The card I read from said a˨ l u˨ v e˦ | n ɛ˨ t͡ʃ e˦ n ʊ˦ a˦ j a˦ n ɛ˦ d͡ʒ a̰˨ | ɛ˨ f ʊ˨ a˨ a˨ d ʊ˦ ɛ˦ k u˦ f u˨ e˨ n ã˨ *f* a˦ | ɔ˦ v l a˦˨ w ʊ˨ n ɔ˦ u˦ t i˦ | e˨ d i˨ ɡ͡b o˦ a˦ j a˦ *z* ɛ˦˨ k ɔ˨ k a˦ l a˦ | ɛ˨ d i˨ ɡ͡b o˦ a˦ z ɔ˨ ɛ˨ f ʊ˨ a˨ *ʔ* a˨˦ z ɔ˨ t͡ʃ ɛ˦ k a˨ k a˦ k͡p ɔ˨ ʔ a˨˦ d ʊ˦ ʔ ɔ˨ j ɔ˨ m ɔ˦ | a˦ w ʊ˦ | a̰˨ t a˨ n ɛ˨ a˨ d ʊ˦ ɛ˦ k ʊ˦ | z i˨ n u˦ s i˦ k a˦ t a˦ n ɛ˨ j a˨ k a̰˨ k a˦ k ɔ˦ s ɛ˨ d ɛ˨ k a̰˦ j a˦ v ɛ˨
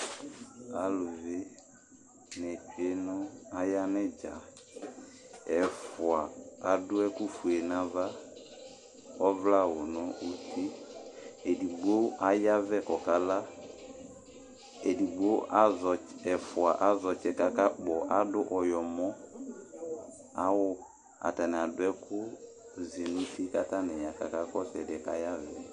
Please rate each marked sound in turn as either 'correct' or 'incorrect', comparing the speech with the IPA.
incorrect: v, incorrect: v, correct

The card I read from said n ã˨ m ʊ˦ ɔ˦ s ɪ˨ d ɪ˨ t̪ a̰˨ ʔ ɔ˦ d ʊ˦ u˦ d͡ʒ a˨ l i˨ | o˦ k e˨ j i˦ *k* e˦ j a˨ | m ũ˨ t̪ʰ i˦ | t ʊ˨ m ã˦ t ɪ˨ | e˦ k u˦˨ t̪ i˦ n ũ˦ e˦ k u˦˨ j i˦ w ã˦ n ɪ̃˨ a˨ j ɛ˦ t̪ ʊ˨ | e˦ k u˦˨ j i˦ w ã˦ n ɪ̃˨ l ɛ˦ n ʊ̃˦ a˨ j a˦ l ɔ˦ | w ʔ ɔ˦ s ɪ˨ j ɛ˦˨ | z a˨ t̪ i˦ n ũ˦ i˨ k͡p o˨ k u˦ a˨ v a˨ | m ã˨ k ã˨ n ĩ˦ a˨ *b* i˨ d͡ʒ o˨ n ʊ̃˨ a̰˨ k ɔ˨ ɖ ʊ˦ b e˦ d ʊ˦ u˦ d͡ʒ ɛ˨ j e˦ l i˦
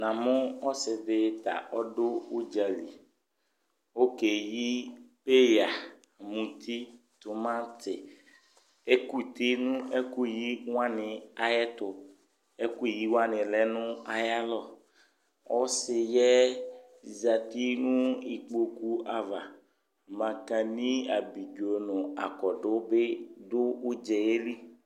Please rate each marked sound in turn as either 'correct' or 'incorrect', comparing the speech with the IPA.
incorrect: p, correct

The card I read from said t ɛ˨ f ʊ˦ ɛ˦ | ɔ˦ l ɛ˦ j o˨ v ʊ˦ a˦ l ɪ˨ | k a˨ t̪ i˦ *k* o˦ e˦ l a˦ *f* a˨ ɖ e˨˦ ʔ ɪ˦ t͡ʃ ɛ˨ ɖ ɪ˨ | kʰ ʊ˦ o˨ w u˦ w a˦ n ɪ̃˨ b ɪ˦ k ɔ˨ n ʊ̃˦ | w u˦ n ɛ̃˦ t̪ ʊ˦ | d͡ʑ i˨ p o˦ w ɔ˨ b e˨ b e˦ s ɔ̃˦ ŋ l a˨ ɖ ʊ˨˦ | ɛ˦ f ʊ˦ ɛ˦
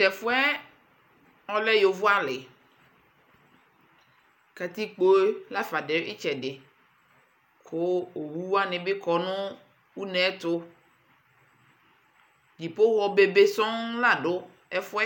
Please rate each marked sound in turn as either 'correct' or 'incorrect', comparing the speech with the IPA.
incorrect: k͡p, correct

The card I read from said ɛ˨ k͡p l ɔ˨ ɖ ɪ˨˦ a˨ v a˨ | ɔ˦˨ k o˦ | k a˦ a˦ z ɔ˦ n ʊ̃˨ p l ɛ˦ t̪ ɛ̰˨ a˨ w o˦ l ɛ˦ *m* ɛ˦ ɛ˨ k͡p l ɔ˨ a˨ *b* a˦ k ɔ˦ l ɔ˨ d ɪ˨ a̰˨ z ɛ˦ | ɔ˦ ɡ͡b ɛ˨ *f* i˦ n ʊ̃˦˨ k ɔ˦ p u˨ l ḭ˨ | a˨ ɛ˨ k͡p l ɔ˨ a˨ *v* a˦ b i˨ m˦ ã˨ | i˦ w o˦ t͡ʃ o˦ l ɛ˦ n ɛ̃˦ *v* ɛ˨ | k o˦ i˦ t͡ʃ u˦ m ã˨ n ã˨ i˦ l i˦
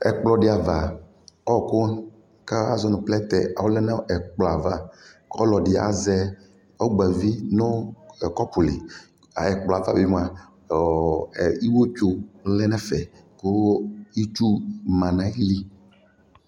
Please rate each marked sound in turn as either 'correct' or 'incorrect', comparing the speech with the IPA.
incorrect: n, incorrect: v, incorrect: v, correct, incorrect: f

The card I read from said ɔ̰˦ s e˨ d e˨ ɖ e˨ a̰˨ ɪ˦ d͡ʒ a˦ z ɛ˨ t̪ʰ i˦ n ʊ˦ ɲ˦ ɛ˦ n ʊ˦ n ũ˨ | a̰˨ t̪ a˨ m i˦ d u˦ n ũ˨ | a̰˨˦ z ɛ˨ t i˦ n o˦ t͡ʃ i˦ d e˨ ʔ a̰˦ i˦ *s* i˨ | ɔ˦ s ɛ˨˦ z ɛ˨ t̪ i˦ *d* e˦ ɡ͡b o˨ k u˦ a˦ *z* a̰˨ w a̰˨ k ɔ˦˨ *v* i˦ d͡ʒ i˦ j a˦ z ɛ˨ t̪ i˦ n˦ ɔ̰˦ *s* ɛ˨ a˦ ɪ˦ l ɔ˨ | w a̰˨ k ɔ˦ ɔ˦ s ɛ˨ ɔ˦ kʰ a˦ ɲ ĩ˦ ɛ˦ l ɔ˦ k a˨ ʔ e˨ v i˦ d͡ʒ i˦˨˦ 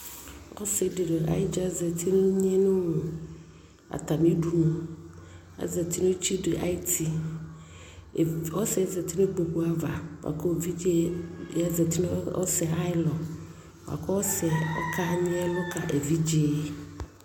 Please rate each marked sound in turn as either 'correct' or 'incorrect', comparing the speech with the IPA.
incorrect: t, incorrect: n, incorrect: v, correct, correct

